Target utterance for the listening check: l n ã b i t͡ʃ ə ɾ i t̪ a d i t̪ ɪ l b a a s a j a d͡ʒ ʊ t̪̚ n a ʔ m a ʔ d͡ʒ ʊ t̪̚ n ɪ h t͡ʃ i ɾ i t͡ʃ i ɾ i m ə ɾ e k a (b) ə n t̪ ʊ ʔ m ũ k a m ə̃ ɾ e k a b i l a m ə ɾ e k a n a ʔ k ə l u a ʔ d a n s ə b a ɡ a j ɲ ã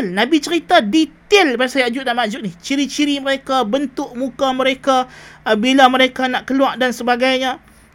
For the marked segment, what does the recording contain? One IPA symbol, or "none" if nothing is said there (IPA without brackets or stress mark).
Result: b